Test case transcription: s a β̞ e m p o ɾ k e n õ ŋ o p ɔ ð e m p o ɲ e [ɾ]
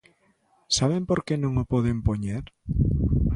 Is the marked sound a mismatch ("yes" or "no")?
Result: no